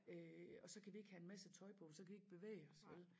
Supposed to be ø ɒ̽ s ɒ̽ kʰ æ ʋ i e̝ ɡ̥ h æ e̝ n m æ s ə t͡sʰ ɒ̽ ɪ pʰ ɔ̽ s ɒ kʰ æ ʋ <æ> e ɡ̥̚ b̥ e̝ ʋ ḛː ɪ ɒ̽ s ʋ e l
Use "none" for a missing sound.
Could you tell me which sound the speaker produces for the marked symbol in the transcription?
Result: i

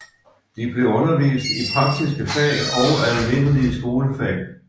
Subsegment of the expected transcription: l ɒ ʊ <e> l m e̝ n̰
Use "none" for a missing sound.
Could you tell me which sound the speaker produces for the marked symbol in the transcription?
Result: æ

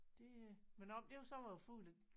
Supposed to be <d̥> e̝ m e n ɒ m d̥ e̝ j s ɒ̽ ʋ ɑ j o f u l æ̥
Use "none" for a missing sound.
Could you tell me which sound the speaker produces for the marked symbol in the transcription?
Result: d̥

